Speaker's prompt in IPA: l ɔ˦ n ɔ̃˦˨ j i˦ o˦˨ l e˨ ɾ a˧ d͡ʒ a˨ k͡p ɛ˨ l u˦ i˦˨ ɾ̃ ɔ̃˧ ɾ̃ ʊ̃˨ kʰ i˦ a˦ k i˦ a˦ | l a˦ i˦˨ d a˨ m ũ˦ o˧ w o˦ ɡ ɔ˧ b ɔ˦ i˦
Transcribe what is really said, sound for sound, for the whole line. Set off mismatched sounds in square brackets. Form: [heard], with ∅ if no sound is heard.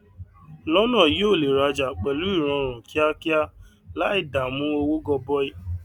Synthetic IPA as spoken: l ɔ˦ n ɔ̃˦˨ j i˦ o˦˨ l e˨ ɾ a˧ d͡ʒ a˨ k͡p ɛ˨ l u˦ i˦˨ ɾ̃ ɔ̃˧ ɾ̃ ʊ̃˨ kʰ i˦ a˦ k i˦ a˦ | l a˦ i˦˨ d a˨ m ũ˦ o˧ w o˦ ɡ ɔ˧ b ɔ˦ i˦